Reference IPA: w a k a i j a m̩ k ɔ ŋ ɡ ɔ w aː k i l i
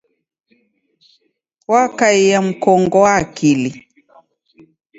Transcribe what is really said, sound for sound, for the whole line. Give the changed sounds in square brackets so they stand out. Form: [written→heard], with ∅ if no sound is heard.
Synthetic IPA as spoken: w a k a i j a m̩ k ɔ ŋ ɡ ɔ w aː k i l i